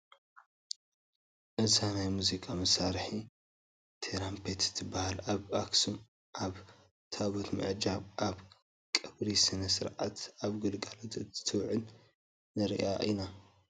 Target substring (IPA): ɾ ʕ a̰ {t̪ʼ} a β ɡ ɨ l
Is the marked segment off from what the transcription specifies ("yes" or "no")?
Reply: yes